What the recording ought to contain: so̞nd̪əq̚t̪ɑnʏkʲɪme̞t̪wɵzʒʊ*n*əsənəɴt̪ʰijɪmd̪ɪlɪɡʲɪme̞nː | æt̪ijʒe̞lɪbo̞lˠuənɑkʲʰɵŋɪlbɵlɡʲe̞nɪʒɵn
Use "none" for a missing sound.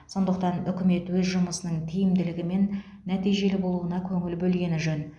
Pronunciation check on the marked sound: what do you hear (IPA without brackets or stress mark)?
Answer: m